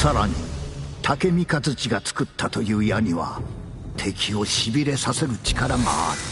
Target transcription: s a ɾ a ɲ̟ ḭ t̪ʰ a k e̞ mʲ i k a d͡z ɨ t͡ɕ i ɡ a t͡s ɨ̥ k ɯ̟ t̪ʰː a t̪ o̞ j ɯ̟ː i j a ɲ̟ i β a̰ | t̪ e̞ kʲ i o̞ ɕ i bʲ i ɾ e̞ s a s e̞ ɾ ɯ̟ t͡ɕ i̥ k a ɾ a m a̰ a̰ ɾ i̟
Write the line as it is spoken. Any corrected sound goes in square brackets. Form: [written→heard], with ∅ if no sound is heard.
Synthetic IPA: s a ɾ a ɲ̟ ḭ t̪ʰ a k e̞ mʲ i k a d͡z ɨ t͡ɕ i ɡ a t͡s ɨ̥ k ɯ̟ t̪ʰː a t̪ o̞ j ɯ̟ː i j a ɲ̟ i β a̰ | [t̪→t̪ʰ] e̞ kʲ i o̞ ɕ i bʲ i ɾ e̞ s a s e̞ ɾ ɯ̟ t͡ɕ i̥ k a ɾ a m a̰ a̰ ɾ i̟